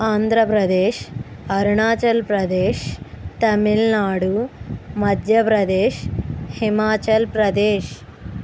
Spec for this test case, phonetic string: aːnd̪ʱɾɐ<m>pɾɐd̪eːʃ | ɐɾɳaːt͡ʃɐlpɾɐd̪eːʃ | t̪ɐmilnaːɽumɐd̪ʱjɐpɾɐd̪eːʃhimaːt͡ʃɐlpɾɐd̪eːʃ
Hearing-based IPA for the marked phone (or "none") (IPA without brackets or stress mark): none